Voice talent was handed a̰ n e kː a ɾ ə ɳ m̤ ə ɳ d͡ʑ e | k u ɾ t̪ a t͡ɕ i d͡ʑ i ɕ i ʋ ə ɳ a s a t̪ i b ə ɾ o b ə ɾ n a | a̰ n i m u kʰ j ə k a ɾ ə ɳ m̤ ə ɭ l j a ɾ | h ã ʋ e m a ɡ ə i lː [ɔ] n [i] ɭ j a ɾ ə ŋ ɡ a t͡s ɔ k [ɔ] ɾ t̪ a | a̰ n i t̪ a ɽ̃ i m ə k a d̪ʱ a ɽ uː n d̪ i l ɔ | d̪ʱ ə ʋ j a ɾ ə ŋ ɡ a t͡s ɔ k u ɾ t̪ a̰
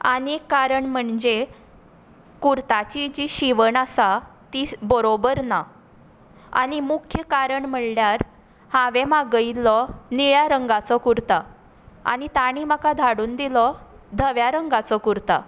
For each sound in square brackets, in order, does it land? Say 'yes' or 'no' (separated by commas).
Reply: yes, yes, no